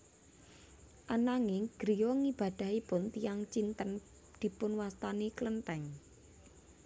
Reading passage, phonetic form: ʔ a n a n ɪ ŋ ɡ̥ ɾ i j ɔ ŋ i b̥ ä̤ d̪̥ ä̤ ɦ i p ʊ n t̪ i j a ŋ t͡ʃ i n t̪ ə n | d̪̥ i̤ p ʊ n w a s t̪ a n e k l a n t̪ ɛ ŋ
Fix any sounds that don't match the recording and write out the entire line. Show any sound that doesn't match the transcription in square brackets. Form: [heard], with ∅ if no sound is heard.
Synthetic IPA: ʔ a n a [ŋ] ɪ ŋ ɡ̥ ɾ i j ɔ ŋ i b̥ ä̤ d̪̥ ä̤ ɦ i p ʊ n t̪ i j a ŋ t͡ʃ i n t̪ ə n | d̪̥ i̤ p ʊ n w a s t̪ a n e k l [ə] n t̪ ɛ ŋ